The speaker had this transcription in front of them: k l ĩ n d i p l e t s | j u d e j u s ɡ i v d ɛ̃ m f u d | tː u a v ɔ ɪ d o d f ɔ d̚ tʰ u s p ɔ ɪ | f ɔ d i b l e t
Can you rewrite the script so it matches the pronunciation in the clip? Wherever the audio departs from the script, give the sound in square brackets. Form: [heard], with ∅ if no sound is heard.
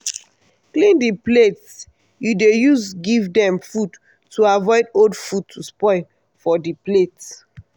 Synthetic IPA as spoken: k l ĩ n d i p l e t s | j u d e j u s ɡ i v d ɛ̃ m f u d | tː u a v ɔ ɪ d o d f [u] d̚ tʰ u s p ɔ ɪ | f ɔ d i [p] l e t

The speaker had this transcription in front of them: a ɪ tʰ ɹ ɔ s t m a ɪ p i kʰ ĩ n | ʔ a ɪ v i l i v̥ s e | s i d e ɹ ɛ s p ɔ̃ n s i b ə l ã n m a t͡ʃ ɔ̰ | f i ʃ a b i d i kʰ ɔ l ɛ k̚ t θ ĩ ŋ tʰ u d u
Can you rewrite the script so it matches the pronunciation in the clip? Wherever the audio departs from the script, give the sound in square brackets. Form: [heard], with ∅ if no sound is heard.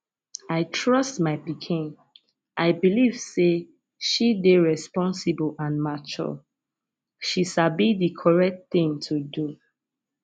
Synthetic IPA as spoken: a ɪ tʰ ɹ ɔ s t m a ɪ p i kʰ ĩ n | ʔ a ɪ [b] i l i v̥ s e | [ʃ] i d e ɹ ɛ s p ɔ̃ n s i b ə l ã n m a t͡ʃ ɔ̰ | [ʃ] i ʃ a b i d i kʰ ɔ [ɹ] ɛ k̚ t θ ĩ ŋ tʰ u d u

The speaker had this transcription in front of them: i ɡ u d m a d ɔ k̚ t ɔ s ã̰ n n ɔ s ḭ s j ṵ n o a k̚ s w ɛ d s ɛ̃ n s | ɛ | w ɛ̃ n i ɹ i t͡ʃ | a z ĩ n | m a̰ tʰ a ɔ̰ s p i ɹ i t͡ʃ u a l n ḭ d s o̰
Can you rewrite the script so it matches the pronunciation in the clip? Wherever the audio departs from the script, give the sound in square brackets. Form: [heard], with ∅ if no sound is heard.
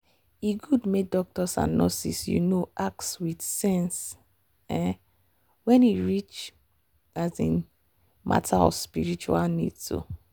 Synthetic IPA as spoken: i ɡ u d m [e] d ɔ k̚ t ɔ s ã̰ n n ɔ s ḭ s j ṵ n o a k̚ s w [i] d s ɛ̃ n s | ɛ | w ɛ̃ n i ɹ i t͡ʃ | a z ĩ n | m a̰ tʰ a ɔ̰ s p i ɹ i t͡ʃ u a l n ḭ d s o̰

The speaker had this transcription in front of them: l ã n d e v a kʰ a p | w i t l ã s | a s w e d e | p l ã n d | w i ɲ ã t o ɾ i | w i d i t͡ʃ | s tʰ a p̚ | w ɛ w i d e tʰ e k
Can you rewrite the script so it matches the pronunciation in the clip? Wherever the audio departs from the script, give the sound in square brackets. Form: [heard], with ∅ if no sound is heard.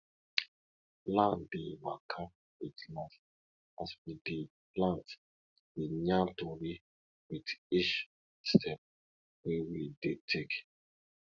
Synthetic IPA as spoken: l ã n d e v a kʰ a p | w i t l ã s | a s w [i] d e | p l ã n [t] | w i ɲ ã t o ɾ i | w i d i t͡ʃ | s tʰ [ɛ] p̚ | w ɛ w i d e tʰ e k

